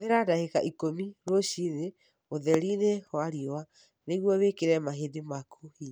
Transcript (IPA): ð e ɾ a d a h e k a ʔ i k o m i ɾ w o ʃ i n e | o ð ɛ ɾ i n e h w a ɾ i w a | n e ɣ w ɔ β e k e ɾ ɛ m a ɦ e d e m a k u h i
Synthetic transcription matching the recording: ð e ɾ a d a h e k a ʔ i k o m i ɾ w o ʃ i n e | o ð ɛ ɾ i n e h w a ɾ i w a | n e ɣ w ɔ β e k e ɾ ɛ m a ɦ e d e m a k u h i